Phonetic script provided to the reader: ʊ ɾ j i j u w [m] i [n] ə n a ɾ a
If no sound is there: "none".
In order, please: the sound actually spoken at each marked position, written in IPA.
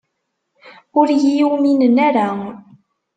m, n

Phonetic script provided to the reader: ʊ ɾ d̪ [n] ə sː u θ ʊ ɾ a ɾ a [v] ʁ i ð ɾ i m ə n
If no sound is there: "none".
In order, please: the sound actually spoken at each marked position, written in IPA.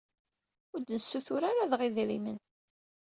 n, ð

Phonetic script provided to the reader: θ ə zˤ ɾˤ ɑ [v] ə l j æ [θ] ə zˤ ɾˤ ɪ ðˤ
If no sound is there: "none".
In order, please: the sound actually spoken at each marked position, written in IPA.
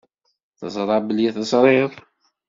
b, θ

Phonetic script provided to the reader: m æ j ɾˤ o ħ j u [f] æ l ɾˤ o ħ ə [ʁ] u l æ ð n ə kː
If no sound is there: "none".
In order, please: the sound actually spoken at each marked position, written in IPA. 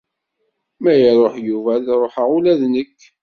v, ʁ

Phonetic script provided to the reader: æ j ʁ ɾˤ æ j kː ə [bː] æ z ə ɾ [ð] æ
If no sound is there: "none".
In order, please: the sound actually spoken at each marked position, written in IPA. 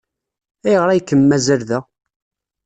mː, ð

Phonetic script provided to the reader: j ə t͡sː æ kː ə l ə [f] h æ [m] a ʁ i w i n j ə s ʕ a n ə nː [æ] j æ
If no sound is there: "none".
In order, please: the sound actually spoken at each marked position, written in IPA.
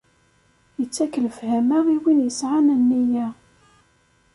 f, m, i

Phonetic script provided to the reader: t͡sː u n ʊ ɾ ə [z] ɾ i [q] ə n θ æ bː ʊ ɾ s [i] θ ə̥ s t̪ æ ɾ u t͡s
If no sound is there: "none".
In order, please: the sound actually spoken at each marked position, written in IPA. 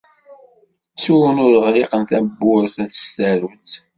ʁ, q, æ

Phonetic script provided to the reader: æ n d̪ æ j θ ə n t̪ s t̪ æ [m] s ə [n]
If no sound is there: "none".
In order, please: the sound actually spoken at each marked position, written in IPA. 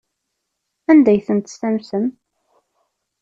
m, m

